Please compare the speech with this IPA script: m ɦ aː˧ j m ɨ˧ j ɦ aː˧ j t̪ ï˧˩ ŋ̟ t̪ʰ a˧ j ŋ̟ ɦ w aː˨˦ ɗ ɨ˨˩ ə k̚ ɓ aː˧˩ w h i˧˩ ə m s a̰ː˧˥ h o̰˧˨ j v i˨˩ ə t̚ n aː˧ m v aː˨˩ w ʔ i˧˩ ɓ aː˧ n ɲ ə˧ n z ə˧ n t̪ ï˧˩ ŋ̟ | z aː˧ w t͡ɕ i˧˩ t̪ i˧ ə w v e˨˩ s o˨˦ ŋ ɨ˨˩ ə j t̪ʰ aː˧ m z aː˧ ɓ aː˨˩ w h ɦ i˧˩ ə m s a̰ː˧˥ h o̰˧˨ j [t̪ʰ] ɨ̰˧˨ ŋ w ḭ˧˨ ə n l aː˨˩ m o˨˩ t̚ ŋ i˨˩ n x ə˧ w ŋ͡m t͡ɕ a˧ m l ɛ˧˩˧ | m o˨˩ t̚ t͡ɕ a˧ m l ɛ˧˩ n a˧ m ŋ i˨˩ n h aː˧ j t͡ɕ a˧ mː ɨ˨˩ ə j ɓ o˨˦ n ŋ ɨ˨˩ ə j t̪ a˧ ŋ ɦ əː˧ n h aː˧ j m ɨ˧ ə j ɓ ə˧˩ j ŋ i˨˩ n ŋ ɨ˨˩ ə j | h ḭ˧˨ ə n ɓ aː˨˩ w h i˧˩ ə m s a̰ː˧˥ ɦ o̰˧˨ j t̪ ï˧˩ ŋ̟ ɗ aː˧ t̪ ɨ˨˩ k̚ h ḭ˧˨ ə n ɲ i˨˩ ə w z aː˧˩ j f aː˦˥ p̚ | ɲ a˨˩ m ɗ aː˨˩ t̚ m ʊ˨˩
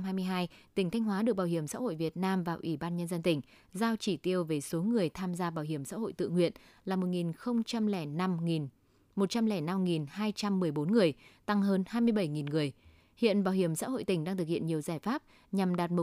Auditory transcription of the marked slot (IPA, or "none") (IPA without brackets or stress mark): t̪